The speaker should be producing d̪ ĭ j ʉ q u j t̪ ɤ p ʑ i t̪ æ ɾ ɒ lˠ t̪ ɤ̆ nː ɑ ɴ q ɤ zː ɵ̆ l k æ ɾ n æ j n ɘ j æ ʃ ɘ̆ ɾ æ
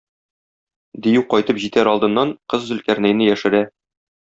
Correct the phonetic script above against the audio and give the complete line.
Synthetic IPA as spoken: d̪ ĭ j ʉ q ɒ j t̪ ɤ p ʑ i t̪ æ ɾ ɒ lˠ d̪ ɤ̆ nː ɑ ɴ q ɤ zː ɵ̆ l k æ ɾ n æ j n ɘ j æ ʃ ɘ̆ ɾ æ